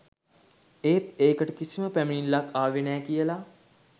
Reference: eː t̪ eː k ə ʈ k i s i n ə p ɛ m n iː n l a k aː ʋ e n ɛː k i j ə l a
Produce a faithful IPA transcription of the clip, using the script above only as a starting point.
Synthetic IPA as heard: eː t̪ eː k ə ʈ k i s i m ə p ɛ m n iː n l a k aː ʋ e n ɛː k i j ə l a